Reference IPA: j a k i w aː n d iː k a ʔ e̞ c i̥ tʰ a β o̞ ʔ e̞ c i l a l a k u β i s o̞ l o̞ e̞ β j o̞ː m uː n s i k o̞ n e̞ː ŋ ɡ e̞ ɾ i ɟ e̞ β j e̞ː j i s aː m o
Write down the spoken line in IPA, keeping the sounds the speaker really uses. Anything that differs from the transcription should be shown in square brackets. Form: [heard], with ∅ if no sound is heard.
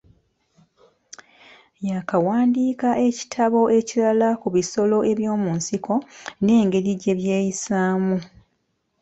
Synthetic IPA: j a k [a] w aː n d iː k a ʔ e̞ c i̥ tʰ a β o̞ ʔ e̞ c i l a l a k u β i s o̞ l o̞ e̞ β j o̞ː m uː n s i k o̞ n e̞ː ŋ ɡ e̞ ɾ i ɟ e̞ β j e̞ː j i s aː m [u]